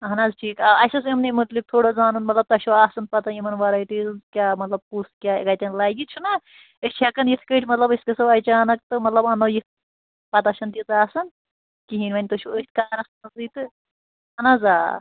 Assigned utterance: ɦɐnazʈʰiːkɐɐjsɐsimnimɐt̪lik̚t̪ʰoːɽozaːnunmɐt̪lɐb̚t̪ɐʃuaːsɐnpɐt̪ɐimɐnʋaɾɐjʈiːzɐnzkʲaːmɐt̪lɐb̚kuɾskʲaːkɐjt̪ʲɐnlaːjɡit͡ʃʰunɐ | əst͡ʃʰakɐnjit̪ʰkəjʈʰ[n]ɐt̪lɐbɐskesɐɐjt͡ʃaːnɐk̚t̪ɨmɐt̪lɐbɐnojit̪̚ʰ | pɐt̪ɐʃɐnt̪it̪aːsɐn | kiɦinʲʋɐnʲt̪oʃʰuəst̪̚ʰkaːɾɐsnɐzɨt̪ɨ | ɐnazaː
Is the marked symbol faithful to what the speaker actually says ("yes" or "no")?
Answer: no